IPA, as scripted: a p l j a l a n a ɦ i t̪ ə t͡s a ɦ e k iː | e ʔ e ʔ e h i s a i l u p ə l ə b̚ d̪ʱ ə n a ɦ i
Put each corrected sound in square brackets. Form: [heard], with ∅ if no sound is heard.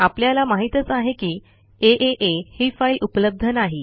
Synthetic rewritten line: a p l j a l a [m] a ɦ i t̪ ə t͡s a ɦ e k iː | e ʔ e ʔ e h i [f] a i l u p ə l ə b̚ d̪ʱ ə n a ɦ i